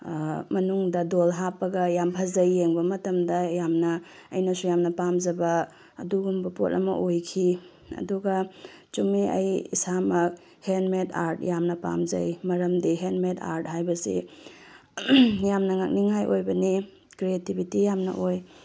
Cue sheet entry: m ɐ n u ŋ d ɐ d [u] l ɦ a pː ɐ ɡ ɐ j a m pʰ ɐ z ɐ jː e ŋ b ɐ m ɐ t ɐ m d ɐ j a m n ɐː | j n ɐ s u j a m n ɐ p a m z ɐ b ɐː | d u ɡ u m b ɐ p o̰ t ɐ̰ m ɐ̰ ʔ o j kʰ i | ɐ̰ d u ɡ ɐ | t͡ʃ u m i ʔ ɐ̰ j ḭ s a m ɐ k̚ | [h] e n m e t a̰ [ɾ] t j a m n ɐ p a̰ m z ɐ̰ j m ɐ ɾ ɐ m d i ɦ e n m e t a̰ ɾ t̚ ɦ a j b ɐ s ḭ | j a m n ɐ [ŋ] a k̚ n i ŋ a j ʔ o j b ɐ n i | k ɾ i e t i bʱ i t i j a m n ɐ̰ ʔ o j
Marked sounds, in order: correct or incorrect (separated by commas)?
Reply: incorrect, correct, correct, correct